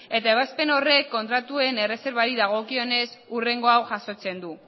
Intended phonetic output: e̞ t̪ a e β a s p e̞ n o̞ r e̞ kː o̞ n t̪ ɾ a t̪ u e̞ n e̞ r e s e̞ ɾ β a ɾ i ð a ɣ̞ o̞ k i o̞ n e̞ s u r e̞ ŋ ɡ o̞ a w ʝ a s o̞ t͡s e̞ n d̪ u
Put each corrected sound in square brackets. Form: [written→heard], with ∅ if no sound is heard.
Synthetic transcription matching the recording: e̞ t̪ a e β a s p e̞ n o̞ r e̞ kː o̞ n t̪ ɾ a t̪ u e̞ n e̞ r e s e̞ ɾ β a ɾ i ð a ɣ̞ o̞ k i o̞ n e̞ s u r e̞ ŋ ɡ o̞ a w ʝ a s o̞ t͡s e̞ n d̪ u

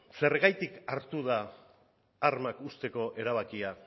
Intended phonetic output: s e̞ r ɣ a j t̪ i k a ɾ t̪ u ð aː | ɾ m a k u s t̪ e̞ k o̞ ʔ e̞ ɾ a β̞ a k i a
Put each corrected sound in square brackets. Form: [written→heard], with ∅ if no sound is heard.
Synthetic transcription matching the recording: s e̞ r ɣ a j t̪ i k a ɾ t̪ u ð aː | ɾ m a k u s t̪ e̞ k o̞ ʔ e̞ ɾ a β̞ a k i a

